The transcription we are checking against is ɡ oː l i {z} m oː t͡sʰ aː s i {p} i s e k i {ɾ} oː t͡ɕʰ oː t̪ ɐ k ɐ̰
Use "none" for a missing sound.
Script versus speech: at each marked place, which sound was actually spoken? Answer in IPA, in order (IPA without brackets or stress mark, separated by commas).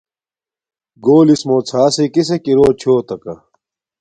s, k, ɾ